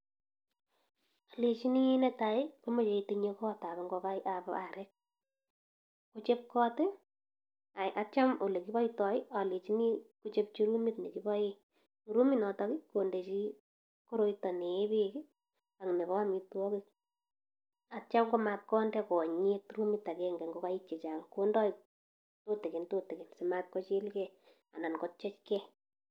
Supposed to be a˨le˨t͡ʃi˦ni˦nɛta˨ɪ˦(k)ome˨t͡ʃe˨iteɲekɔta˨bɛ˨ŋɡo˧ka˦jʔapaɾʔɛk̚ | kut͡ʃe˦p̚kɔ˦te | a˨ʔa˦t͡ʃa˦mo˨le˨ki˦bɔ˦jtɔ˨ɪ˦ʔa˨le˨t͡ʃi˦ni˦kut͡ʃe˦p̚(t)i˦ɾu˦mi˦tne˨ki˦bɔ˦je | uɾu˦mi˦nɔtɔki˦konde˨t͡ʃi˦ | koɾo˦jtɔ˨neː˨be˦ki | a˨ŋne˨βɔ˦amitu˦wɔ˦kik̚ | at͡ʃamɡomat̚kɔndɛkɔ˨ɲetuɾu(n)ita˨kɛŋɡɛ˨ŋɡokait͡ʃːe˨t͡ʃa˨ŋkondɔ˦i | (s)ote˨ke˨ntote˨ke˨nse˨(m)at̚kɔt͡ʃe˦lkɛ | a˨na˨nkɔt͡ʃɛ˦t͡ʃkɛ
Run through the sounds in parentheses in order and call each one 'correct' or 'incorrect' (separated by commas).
correct, incorrect, incorrect, incorrect, correct